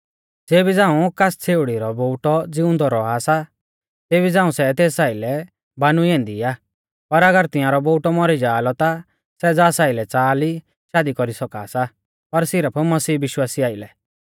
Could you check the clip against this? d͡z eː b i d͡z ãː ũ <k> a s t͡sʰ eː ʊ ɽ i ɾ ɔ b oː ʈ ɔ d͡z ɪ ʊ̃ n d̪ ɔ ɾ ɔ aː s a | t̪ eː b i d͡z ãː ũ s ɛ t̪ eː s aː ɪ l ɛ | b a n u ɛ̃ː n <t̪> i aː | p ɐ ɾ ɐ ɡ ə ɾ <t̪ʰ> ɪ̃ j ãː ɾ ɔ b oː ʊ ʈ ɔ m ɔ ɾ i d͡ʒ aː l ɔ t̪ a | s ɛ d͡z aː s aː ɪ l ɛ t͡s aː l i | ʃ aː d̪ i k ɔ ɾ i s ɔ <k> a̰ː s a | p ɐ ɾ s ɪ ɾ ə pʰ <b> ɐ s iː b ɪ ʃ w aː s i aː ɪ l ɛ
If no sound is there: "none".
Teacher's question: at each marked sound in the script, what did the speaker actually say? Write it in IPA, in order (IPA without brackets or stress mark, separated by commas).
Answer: k, d̪, t̪, k, m